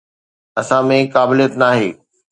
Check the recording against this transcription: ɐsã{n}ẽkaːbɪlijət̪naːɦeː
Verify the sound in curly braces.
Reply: incorrect: m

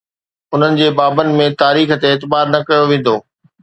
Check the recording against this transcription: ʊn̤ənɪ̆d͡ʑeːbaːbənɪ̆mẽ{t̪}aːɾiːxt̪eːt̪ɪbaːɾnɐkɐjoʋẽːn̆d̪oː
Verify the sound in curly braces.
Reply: correct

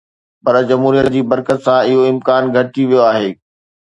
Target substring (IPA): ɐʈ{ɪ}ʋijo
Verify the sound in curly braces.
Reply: incorrect: i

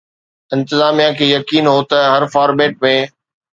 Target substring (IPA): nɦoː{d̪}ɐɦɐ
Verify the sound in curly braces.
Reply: incorrect: t̪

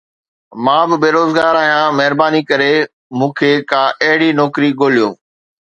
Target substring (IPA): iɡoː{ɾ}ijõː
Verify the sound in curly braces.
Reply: incorrect: l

